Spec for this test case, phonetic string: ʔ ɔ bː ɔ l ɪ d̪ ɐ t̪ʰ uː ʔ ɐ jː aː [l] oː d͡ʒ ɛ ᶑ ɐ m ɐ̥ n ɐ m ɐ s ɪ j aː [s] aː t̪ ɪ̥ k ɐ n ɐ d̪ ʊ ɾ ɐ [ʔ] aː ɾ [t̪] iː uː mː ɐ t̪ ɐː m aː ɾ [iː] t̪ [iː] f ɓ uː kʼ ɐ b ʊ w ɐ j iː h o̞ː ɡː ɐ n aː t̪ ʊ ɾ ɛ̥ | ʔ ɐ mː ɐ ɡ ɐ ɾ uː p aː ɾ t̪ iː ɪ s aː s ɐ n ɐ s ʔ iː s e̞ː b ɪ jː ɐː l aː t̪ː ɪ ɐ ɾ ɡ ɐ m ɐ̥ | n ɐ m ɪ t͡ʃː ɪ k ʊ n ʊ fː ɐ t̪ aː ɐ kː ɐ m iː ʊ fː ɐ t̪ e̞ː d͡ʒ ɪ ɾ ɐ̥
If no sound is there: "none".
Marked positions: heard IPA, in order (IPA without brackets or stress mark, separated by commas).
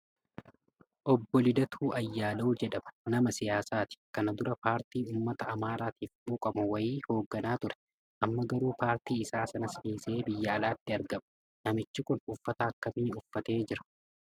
l, s, p, t̪, aː, iː